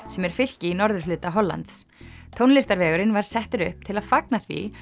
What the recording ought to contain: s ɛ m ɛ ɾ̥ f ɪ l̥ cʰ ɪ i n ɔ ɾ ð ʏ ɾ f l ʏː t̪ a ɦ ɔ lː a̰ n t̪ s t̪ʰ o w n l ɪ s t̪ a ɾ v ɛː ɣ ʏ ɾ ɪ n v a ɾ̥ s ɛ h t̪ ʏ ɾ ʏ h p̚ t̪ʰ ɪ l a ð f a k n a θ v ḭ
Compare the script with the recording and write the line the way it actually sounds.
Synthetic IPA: s ɛ m ɛ ɾ̥ f ɪ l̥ c ɪ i n ɔ ɾ ð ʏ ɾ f l ʏː t̪ a ɦ ɔ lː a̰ n t̪ s t̪ʰ o w n l ɪ s t̪ a ɾ v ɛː ɣ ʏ ɾ ɪ n v a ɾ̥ s ɛ h t̪ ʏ ɾ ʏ h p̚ t̪ʰ ɪ l a ð f a k n a θ v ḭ